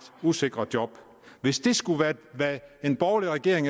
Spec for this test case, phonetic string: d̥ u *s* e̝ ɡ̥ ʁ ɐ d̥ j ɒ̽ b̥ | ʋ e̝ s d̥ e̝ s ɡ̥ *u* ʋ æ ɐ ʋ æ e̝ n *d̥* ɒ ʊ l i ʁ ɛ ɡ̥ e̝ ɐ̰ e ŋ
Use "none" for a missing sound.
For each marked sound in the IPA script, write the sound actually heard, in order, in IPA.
s, u, b̥

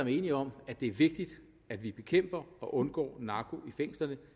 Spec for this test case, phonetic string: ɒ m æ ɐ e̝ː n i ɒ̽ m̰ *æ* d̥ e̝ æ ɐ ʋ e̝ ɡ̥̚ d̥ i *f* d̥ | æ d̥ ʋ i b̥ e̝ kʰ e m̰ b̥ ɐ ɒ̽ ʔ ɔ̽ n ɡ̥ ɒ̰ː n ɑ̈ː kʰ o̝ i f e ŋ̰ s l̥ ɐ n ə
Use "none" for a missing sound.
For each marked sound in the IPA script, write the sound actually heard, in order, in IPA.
æ, none

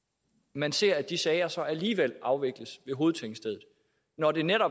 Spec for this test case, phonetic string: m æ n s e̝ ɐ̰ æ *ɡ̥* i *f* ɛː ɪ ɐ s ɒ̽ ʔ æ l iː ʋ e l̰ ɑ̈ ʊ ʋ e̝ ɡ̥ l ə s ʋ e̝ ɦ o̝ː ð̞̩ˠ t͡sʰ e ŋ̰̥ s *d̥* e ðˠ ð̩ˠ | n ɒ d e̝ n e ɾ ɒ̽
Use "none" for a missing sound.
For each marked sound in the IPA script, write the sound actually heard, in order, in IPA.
d̥, s, d̥

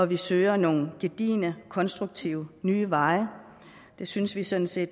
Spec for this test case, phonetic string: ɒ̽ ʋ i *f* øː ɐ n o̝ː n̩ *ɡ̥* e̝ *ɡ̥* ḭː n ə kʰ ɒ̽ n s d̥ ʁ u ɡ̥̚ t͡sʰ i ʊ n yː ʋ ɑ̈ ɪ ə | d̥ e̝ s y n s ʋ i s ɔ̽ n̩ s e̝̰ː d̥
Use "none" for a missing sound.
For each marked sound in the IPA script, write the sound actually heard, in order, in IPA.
s, ɡ̥, d̥

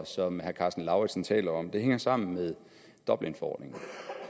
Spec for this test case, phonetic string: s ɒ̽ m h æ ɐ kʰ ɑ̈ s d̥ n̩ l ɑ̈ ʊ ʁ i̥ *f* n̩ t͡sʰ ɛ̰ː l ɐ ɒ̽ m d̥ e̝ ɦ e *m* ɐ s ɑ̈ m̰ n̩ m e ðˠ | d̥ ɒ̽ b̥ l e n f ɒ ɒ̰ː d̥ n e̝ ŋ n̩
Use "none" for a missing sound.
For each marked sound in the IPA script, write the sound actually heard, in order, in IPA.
s, ŋ

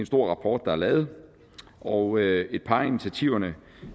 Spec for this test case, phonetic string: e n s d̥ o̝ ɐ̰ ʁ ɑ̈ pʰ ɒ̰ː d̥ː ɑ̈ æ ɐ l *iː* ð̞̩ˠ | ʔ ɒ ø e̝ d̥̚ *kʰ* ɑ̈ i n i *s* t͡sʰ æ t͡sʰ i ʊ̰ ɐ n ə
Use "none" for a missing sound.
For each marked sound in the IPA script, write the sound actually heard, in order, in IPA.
ɛː, pʰ, none

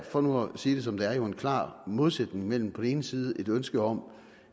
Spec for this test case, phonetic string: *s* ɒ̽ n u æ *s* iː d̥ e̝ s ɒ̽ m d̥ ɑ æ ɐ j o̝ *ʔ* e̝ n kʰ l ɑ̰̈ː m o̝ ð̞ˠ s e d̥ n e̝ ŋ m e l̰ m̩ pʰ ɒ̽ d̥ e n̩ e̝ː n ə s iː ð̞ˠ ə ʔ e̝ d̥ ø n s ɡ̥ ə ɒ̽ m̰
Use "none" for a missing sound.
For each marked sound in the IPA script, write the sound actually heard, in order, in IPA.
f, s, none

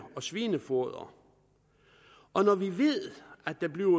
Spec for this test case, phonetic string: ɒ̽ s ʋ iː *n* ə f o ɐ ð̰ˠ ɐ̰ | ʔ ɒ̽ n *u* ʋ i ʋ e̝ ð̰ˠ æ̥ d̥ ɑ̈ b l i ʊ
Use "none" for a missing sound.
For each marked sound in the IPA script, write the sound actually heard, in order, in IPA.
n, ɒ

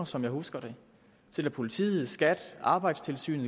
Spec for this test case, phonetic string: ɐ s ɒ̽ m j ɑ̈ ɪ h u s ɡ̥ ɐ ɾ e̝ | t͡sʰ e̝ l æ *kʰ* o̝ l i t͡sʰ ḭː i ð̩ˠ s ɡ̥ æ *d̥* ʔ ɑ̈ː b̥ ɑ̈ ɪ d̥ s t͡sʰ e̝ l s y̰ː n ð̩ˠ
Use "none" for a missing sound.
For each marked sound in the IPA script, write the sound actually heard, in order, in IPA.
pʰ, d̥

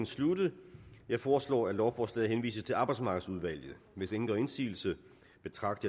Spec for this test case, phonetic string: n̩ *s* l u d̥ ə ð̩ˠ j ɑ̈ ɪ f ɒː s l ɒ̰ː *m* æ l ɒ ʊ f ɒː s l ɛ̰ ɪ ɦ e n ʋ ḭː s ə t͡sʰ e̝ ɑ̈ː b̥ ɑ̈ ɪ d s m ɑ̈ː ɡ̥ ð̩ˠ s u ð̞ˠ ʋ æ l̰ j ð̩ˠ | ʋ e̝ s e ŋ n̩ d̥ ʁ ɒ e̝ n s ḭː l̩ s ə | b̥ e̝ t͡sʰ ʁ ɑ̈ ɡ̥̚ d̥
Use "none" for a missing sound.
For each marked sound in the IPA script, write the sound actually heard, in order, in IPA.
s, none

